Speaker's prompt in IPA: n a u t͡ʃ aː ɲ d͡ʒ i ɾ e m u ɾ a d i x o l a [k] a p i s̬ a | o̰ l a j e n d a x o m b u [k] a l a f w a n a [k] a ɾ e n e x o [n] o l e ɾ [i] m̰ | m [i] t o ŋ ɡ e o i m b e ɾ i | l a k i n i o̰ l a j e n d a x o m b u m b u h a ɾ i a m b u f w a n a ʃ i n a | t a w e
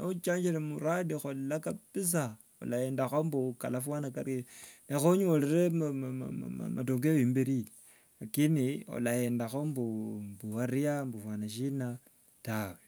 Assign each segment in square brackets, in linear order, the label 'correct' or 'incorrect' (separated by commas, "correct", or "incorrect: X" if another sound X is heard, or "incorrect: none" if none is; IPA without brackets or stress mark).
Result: correct, correct, correct, incorrect: ɲ, incorrect: e, incorrect: a